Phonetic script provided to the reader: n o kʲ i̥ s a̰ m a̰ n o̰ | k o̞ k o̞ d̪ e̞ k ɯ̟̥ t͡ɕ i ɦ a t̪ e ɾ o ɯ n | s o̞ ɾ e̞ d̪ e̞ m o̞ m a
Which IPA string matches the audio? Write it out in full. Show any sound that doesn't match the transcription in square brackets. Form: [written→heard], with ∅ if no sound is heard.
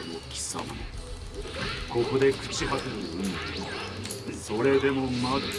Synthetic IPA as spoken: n o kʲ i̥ s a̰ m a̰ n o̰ | k o̞ k o̞ d̪ e̞ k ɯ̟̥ t͡ɕ i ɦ a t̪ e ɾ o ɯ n | s o̞ ɾ e̞ d̪ e̞ m o̞ m a